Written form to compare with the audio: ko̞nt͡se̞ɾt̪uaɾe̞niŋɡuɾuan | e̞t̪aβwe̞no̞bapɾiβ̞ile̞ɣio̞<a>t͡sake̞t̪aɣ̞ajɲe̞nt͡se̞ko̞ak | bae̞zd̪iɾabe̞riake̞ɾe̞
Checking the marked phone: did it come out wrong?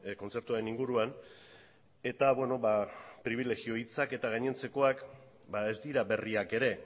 yes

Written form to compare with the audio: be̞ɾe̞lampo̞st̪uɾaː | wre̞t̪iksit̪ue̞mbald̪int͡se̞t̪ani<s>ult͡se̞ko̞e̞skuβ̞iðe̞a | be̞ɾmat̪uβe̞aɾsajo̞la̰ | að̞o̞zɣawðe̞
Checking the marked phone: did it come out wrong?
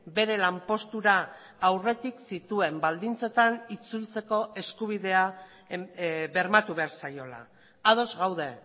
yes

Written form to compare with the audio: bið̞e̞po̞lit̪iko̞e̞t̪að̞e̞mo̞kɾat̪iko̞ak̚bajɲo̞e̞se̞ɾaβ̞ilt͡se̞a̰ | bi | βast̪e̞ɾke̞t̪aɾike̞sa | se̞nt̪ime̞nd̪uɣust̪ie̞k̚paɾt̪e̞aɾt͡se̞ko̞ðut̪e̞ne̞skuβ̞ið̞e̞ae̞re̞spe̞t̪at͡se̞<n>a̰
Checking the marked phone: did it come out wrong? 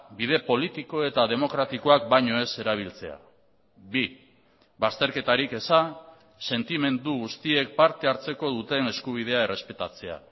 yes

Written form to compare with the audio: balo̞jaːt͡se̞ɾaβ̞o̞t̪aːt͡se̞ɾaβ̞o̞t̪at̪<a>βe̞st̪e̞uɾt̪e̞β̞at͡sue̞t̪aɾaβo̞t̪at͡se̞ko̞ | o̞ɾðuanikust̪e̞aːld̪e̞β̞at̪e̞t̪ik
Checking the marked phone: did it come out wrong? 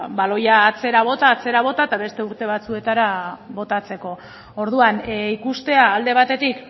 no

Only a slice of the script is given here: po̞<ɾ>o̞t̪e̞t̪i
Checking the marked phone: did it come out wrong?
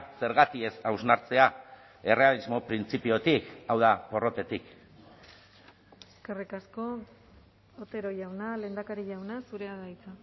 yes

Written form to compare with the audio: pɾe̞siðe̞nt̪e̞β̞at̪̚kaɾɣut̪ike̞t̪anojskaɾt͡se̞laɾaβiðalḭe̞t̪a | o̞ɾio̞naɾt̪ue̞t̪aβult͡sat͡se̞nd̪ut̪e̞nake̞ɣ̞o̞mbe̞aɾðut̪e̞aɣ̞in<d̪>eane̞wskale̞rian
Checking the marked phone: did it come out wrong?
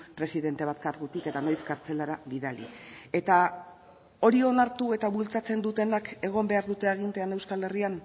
yes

